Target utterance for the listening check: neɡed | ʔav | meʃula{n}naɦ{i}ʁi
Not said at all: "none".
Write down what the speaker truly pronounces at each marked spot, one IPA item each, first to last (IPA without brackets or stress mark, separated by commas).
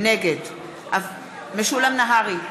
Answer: m, a